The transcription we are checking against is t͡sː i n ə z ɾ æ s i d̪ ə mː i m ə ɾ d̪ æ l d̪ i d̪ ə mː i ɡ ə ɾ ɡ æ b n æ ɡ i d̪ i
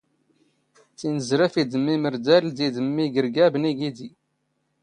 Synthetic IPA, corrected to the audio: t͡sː i n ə z ɾ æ f i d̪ ə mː i m ə ɾ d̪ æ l d̪ i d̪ ə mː i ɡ ə ɾ ɡ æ b n i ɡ i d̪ i